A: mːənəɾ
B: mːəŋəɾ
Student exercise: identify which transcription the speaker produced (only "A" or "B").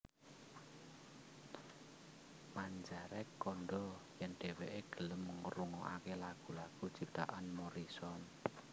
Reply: B